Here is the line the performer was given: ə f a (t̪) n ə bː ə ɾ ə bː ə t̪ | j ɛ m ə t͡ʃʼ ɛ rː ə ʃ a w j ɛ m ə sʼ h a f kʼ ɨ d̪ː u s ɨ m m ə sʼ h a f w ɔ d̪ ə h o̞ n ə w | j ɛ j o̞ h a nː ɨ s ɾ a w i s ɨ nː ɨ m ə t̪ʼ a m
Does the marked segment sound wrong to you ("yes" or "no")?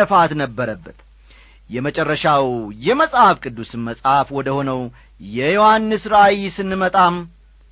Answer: no